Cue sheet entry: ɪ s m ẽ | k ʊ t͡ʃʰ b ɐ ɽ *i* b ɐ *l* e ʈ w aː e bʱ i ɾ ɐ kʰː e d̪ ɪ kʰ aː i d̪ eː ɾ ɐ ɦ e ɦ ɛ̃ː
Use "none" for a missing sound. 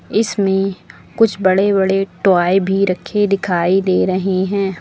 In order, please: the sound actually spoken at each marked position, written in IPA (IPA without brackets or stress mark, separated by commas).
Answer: e, ɽ